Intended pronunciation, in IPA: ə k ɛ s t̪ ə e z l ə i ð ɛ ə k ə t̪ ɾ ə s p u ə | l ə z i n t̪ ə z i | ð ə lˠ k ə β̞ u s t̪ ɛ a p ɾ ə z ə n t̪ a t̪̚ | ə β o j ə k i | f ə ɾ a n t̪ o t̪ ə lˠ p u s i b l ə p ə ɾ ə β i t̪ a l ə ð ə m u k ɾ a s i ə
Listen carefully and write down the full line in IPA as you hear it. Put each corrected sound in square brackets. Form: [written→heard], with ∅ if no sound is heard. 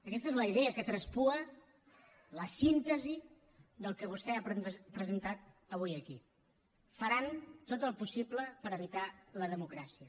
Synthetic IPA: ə k ɛ s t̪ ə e z l ə i ð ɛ ə k ə t̪ ɾ ə s p u ə | l ə [z→s] i n t̪ ə z i | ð ə lˠ k ə β̞ u s t̪ ɛ a p ɾ ə z ə n t̪ a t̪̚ | ə β [o→u] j ə k i | f ə ɾ a n t̪ o t̪ ə lˠ p u s i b l ə p ə ɾ ə β i t̪ a l ə ð ə m u k ɾ a s i ə